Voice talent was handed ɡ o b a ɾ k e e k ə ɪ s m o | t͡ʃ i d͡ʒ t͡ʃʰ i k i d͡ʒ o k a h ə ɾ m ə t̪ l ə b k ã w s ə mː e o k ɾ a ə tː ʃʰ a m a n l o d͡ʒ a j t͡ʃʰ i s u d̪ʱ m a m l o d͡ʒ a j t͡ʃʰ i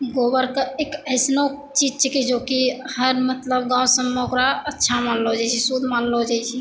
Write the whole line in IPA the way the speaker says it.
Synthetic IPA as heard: ɡ o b ə ɾ k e e k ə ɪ s n o | t͡ʃ i d͡ʒ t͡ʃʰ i k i d͡ʒ o k i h ə ɾ m ə t̪ l ə b ɡ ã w s ə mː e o k ɾ a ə tː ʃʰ a m a n l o d͡ʒ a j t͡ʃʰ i s u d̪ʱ m a n l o d͡ʒ a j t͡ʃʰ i